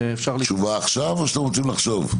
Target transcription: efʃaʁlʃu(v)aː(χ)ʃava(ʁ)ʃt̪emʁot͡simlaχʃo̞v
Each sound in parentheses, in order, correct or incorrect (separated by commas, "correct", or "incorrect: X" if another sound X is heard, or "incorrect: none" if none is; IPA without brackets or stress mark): correct, correct, incorrect: none